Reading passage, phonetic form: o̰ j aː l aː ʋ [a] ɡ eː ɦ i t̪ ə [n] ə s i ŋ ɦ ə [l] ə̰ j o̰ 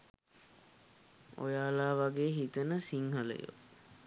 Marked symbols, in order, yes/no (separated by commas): yes, yes, yes